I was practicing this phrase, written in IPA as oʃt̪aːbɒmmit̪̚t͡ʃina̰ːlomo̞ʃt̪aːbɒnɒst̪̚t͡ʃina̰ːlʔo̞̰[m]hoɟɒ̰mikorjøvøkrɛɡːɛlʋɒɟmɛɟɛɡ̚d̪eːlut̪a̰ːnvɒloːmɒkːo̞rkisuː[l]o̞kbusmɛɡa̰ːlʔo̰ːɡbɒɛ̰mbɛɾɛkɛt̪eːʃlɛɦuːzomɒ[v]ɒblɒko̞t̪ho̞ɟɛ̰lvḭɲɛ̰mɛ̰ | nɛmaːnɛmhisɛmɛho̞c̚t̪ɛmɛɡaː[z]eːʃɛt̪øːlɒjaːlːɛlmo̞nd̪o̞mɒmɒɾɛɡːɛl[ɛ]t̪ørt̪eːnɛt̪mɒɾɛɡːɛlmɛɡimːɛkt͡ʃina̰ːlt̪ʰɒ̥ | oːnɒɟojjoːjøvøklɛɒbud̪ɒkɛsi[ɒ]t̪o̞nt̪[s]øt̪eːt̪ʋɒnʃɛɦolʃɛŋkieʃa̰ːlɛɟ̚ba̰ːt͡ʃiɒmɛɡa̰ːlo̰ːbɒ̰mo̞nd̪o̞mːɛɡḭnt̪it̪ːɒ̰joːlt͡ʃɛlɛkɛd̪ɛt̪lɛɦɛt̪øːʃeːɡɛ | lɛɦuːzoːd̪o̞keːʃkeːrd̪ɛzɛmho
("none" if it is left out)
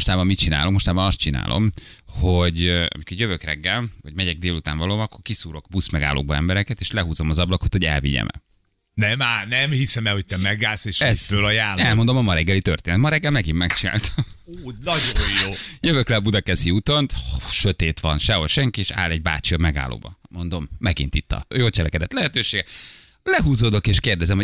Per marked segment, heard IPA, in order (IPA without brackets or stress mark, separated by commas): m, ɾ, z, s, i, u, ʃ